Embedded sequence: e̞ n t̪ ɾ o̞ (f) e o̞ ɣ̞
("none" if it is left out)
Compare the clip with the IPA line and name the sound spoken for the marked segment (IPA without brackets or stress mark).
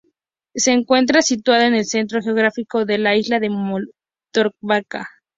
x